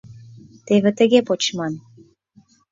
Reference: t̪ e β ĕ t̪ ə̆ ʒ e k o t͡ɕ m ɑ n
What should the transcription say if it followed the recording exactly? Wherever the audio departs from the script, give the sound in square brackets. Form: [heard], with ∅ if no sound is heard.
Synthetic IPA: t̪ e β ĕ t̪ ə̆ [ɣ] e [p] o t͡ɕ m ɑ n